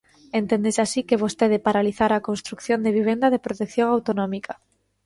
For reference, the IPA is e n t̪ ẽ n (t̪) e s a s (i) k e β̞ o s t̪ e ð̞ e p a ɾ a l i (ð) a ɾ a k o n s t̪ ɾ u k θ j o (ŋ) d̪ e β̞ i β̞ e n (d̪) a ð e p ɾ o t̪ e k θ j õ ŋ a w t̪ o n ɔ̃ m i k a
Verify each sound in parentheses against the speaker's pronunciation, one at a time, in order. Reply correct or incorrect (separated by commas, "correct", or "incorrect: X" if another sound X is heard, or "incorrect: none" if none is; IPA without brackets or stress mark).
incorrect: d̪, correct, incorrect: θ, incorrect: n, correct